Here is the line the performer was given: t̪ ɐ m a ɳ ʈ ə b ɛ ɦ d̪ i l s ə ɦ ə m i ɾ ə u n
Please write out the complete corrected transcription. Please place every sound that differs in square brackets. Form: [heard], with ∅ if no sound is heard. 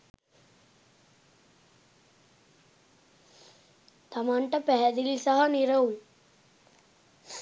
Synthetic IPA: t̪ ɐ m a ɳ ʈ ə [p] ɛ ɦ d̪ i l s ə ɦ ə [n] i ɾ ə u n